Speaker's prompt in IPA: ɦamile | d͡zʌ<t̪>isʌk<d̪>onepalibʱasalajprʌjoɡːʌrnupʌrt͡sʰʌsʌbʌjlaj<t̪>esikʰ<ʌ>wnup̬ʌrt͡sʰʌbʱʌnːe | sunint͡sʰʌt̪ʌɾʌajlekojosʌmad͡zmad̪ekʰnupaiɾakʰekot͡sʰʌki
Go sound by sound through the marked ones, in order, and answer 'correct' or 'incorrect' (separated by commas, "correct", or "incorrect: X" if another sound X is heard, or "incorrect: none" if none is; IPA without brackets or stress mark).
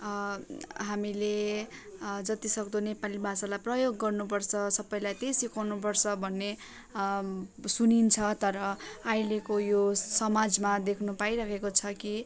correct, correct, correct, incorrect: a